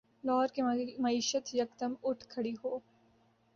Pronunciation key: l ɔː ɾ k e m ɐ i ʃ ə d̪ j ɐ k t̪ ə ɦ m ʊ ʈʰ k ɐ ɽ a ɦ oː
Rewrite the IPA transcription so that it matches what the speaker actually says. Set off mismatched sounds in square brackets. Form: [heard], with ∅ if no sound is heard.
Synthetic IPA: l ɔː ɾ k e m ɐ [iː] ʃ ə [t̪] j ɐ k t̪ ə [∅] m ʊ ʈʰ [kʰ] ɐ ɽ [i] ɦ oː